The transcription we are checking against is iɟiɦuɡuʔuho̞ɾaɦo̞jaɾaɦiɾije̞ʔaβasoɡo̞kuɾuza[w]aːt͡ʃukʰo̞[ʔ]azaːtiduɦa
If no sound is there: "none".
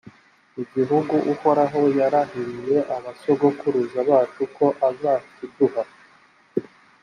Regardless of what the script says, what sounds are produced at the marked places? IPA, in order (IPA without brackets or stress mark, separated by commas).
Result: β, ʔ